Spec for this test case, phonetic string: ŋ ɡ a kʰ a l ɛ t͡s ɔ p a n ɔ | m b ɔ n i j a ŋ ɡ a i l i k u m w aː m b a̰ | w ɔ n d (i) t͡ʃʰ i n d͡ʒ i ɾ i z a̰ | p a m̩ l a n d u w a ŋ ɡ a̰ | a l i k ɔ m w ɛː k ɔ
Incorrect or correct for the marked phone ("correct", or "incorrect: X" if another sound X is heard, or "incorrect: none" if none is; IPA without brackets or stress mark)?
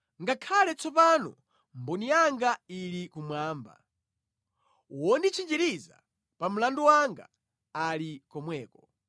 correct